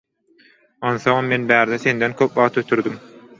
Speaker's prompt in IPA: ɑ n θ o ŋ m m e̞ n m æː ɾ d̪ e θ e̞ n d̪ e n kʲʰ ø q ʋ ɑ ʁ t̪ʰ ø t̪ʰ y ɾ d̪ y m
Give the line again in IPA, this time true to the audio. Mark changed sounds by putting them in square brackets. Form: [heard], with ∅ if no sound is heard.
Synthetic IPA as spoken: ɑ n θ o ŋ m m e̞ n [b] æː ɾ d̪ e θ e̞ n d̪ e n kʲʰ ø [p] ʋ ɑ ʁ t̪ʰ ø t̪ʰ y ɾ d̪ y m